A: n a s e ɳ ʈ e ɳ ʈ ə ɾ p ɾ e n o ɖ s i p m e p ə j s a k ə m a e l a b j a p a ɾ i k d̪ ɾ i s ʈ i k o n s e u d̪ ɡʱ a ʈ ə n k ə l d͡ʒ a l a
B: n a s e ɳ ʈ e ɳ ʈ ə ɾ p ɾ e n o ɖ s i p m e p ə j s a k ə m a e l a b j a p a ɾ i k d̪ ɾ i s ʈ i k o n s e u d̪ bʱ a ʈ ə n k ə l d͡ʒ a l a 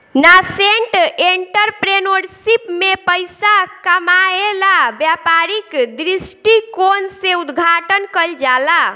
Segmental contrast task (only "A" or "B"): A